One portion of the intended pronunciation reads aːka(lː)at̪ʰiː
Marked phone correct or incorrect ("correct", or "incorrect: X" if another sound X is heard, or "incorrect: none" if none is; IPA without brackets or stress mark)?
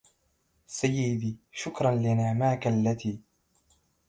correct